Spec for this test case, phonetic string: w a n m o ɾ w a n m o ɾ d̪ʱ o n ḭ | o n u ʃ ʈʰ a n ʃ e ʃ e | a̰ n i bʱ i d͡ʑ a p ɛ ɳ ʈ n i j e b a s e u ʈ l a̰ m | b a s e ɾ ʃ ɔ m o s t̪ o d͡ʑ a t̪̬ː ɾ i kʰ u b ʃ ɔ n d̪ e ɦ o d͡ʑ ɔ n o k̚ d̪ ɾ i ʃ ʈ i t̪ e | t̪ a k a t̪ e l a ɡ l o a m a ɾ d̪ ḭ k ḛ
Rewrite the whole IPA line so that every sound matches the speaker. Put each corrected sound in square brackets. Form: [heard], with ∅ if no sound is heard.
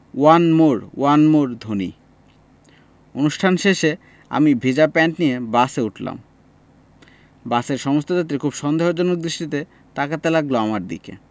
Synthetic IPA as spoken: w a n m o ɾ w a n m o ɾ d̪ʱ o n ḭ | o n u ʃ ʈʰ a n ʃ e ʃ e | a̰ [m] i bʱ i d͡ʑ a p ɛ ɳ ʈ n i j e b a s e u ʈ l a̰ m | b a s e ɾ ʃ ɔ m o s t̪ o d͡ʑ a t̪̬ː ɾ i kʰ u b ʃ ɔ n d̪ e ɦ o d͡ʑ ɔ n o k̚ d̪ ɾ i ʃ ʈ i t̪ e | t̪ a k a t̪ e l a ɡ l o a m a ɾ d̪ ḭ k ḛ